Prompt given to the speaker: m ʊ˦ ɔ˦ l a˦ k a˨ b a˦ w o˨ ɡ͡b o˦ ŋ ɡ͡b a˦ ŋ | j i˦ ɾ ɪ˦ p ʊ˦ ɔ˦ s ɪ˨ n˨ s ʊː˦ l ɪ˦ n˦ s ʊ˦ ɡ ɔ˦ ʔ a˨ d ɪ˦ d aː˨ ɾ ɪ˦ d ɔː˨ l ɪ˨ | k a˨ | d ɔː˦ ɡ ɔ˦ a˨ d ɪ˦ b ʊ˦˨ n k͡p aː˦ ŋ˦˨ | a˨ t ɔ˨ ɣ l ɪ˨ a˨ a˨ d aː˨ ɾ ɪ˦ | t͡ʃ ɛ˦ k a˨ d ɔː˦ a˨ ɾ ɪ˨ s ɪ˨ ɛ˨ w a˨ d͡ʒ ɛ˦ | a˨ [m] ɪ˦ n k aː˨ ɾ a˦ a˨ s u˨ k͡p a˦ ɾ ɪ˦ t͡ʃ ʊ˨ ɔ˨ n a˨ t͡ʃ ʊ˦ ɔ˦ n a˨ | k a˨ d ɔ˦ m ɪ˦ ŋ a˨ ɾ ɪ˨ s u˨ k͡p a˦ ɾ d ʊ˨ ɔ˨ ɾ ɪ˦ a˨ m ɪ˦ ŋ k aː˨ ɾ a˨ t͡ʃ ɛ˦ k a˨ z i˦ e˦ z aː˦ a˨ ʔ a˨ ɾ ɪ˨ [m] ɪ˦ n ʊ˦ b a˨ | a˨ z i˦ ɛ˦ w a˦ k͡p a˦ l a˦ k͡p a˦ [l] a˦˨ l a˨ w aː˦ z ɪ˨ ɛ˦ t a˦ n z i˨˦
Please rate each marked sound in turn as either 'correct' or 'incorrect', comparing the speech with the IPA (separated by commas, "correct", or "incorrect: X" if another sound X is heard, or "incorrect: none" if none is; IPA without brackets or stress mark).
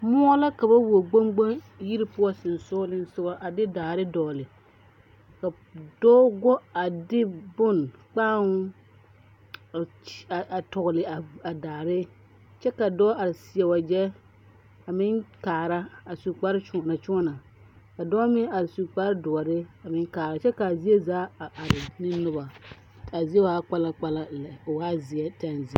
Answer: correct, incorrect: n, correct